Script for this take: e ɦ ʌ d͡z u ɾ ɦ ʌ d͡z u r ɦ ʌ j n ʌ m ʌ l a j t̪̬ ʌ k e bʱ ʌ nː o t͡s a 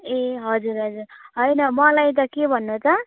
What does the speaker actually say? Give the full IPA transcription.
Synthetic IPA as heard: e ɦ ʌ d͡z u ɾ ɦ ʌ d͡z u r ɦ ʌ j n ʌ m ʌ l a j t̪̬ ʌ k e bʱ ʌ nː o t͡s ʌ